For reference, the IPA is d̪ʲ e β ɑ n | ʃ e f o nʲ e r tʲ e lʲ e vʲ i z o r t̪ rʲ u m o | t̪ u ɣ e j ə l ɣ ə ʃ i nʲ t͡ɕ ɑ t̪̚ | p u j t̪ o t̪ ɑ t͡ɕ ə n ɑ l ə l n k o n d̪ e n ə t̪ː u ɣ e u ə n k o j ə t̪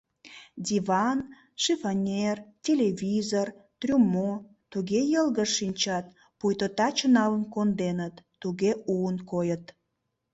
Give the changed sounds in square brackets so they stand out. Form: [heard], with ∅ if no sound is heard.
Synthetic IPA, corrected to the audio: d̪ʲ [i] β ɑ n | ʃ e f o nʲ e r tʲ e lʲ e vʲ i z o r t̪ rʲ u m o | t̪ u ɣ e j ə l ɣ ə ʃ i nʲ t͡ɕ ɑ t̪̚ | p u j t̪ o t̪ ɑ t͡ɕ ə n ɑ l ə [∅] n k o n d̪ e n ə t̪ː u ɣ e u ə n k o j ə t̪